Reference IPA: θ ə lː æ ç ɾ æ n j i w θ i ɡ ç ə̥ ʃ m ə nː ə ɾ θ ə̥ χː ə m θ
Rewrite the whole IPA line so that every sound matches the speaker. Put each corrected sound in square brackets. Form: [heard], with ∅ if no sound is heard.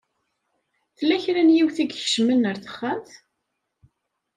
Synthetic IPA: θ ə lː æ ç ɾ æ n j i w θ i ɡ ç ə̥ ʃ m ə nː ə ɾ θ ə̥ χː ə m θ